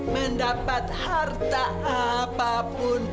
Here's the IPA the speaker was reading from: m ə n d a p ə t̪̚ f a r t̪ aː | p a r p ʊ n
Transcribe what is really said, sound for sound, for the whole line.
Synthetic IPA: m ə n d a p a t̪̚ h a r t̪ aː | p a p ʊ n